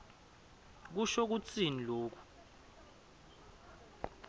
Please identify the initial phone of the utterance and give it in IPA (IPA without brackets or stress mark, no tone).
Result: k̬